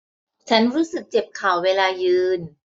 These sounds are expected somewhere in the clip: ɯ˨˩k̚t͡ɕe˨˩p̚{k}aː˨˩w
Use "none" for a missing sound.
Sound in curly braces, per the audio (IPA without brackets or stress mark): kʰ